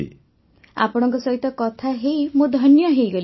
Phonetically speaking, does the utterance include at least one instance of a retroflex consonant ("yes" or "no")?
yes